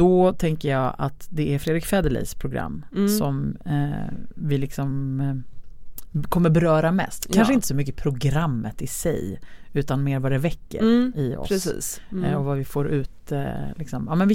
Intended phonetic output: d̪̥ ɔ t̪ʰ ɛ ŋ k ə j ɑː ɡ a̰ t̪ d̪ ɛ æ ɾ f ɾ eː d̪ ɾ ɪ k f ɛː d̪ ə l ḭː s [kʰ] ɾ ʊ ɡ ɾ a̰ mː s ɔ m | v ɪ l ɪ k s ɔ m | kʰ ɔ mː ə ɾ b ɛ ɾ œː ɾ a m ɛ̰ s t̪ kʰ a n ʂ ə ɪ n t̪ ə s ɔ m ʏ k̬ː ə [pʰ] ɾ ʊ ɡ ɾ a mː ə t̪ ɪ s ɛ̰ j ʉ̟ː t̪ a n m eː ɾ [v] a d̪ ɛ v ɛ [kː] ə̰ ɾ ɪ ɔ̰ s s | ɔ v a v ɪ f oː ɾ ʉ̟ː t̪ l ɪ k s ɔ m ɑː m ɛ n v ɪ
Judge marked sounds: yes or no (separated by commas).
no, yes, yes, yes